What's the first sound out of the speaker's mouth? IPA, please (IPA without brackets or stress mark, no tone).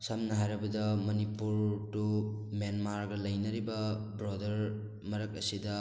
s